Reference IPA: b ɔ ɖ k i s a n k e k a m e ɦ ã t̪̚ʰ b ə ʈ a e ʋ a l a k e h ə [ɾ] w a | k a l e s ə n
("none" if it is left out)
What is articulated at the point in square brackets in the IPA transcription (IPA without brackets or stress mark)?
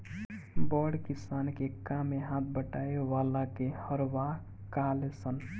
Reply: ɾ